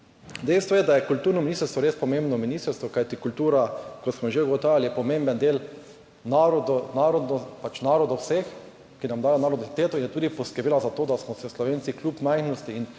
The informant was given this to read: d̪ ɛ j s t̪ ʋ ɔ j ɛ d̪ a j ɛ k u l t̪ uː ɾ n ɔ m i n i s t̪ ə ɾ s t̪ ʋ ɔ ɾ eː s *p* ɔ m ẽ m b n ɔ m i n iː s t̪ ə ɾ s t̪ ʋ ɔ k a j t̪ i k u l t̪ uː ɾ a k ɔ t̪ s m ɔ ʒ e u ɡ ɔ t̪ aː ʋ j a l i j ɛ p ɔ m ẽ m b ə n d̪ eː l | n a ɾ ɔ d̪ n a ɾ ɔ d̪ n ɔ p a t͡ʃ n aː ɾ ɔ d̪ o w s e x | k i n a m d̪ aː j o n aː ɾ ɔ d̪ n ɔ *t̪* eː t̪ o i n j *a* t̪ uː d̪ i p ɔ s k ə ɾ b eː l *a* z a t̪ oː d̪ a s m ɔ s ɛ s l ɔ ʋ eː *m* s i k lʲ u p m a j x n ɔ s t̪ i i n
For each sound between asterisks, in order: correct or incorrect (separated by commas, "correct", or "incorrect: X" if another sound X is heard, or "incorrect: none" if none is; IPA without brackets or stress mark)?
correct, correct, incorrect: ɛ, correct, incorrect: n